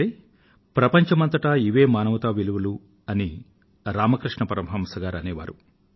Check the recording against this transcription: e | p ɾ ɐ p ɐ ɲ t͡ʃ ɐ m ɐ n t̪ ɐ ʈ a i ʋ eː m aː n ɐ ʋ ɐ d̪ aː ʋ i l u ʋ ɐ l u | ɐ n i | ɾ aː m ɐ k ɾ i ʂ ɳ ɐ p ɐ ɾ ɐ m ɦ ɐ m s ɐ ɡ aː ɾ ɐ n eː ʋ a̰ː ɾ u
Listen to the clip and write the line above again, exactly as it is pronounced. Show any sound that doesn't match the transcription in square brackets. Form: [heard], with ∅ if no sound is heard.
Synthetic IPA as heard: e | p ɾ ɐ p ɐ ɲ t͡ʃ ɐ m ɐ n t̪ ɐ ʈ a i ʋ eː m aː n ɐ ʋ ɐ [t̪] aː ʋ i l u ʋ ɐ l u | ɐ n i | ɾ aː m ɐ k ɾ i ʂ ɳ ɐ p ɐ ɾ ɐ m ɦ ɐ m s ɐ ɡ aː ɾ ɐ n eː ʋ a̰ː ɾ u